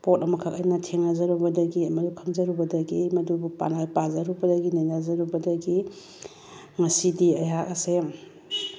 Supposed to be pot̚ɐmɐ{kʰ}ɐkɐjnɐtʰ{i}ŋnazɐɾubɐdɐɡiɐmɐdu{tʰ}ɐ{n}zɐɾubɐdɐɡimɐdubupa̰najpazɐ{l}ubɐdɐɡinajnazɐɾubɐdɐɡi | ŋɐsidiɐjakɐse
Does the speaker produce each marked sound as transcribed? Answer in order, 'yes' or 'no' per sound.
yes, no, no, no, no

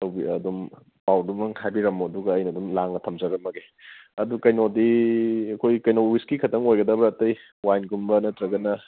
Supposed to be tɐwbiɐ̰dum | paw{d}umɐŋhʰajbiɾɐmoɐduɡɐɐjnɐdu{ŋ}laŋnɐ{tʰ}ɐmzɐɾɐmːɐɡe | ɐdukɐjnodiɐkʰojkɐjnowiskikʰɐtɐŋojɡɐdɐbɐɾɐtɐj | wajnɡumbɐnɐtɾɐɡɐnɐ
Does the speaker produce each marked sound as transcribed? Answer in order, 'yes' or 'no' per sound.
yes, no, yes

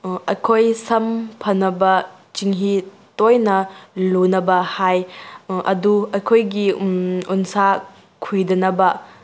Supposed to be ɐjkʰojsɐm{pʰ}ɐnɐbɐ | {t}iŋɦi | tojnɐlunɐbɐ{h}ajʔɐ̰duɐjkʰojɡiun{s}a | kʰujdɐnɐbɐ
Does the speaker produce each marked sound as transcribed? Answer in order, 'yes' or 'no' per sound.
yes, no, yes, yes

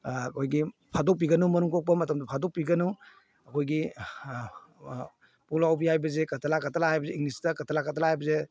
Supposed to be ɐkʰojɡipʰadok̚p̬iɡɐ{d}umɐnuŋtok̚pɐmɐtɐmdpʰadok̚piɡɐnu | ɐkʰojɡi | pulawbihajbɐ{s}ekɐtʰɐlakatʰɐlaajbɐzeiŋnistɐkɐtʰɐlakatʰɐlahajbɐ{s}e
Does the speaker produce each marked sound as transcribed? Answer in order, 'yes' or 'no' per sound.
no, no, no

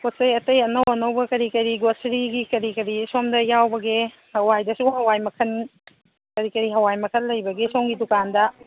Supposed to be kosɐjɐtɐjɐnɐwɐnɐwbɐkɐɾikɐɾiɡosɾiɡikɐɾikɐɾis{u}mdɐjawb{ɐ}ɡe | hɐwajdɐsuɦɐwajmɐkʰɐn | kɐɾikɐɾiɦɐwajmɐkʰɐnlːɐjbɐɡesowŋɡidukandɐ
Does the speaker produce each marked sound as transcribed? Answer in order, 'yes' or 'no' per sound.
no, yes

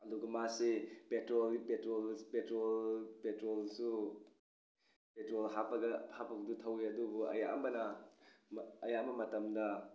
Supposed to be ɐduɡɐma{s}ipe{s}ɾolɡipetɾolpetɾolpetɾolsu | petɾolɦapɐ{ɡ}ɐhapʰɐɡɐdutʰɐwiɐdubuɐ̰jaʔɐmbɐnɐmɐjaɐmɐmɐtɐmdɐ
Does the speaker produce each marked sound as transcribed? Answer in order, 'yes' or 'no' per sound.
yes, no, yes

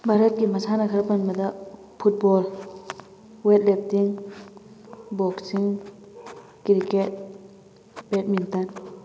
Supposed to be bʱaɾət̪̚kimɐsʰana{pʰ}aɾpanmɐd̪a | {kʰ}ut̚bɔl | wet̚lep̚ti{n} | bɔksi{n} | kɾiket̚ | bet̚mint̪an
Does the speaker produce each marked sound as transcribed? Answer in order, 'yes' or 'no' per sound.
no, no, no, no

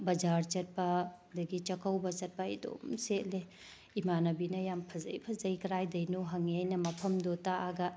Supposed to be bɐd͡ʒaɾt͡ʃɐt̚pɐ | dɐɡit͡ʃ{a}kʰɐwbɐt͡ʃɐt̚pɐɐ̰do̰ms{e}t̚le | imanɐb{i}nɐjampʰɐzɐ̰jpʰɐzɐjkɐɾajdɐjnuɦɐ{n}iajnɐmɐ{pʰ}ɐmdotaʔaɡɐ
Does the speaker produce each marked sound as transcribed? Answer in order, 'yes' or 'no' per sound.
no, yes, yes, no, yes

